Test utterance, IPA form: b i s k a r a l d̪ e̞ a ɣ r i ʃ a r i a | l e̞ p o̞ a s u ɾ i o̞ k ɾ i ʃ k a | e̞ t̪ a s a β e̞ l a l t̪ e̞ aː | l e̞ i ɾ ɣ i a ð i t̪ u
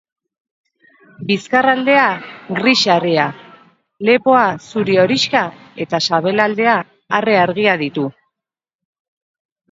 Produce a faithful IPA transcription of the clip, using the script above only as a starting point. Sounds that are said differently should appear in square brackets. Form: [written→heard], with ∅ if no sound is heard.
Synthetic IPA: b i s k a r a l d̪ e̞ a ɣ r i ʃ a r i a | l e̞ p o̞ a s u ɾ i o̞ [k→∅] ɾ i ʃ k a | e̞ t̪ a s a β e̞ l a l [t̪→d̪] e̞ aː | [l→r] e̞ [i→a] ɾ ɣ i a ð i t̪ u